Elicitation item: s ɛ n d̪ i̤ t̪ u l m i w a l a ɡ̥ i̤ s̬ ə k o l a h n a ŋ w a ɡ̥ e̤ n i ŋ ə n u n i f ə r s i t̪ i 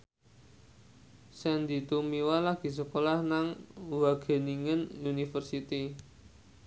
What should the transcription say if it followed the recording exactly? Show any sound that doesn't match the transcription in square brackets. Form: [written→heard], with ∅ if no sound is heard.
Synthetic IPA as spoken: s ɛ n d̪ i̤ t̪ u [l→∅] m i w a l a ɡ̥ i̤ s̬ ə k o l a h n a ŋ w a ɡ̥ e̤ n i ŋ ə n u n i f ə r s i t̪ i

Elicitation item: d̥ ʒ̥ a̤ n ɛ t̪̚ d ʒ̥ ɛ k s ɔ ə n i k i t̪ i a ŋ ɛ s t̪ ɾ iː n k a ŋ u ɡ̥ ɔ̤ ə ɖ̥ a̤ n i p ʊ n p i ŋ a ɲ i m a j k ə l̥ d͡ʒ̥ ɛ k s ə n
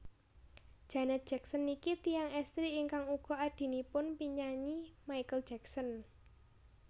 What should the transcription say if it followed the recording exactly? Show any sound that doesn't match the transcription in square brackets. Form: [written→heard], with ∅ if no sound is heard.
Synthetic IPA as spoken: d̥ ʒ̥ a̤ n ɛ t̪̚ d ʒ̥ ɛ k s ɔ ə n i k i t̪ i a ŋ ɛ s t̪ ɾ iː [n→ŋ] k a ŋ u ɡ̥ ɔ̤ [ə→a] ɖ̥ [a̤→i̤] n i p ʊ n p i [ŋ→ɲ] a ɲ i m a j k ə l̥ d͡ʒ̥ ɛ k s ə n

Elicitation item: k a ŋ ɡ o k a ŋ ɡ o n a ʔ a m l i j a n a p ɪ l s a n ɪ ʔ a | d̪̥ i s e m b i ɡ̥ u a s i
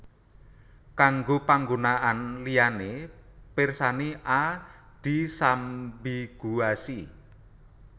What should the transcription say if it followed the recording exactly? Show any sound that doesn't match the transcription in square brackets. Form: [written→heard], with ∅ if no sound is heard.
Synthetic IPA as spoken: k a ŋ ɡ o [k→p] a ŋ ɡ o n a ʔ a [m→n] l i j a n [a→e] p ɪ [l→r] s a n [ɪ→i] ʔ a | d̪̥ i s [e→a] m b i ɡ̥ u a s i

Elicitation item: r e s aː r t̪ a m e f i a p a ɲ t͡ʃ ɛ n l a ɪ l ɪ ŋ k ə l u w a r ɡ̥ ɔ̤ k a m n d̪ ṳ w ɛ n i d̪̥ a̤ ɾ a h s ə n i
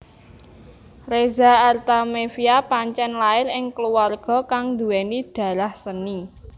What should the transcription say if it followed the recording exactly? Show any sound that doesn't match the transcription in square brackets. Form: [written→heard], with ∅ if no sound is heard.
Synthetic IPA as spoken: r e [s→z] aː r t̪ a m e f i a p a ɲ t͡ʃ ɛ n l a ɪ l ɪ ŋ k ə l u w a r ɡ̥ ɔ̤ k a [m→ŋ] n d̪ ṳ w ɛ n i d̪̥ a̤ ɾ a h s ə n i

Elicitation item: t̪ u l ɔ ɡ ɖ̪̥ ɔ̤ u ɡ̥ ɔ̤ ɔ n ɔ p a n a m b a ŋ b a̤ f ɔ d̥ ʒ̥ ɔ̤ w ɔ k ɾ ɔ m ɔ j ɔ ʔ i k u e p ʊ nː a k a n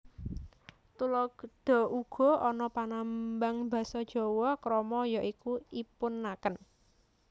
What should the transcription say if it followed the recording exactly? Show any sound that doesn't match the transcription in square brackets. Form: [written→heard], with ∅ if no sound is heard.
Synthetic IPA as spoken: t̪ u l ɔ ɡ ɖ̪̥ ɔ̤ u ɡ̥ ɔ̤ ɔ n ɔ p a n a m b a ŋ b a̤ [f→s] ɔ d̥ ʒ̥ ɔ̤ w ɔ k ɾ ɔ m ɔ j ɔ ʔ i k u [e→i] p ʊ nː a k [a→ə] n

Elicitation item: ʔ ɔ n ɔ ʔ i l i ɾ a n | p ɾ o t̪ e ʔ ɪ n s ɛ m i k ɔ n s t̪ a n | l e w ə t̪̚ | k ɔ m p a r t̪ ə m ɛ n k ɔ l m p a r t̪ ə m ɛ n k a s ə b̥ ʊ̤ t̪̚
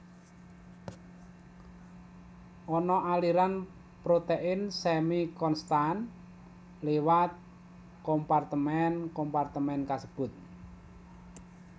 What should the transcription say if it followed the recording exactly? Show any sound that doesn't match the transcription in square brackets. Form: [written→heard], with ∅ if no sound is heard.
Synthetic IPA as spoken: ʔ ɔ n ɔ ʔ [i→a] l i ɾ a n | p ɾ o t̪ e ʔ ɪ n s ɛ m i k ɔ n s t̪ a n | l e w [ə→a] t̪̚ | k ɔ m p a r t̪ ə m ɛ n k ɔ [l→∅] m p a r t̪ ə m ɛ n k a s ə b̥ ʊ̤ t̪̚

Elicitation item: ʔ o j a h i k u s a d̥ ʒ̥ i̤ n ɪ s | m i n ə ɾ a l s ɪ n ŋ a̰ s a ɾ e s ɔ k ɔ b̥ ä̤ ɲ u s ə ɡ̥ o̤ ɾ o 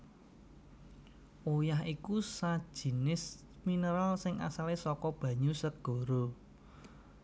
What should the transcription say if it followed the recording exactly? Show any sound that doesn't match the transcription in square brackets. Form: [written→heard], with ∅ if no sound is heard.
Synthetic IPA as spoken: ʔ o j a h i k u s a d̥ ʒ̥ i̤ n ɪ s | m i n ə ɾ a l s ɪ [n→∅] ŋ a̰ s a [ɾ→l] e s ɔ k ɔ b̥ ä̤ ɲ u s ə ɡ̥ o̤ ɾ o

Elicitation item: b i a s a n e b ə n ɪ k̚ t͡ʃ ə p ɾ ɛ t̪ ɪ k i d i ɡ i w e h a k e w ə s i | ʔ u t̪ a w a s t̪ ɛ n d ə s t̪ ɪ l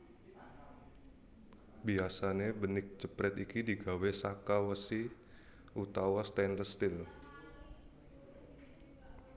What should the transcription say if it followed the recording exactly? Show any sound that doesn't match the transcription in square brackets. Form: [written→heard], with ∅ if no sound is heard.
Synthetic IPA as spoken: b i a s a n e b ə n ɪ k̚ t͡ʃ ə p ɾ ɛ t̪ [ɪ→i] k i d i ɡ [i→a] w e [h→s] a k [e→a] w ə s i | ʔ u t̪ a w a s t̪ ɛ n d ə s t̪ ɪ l

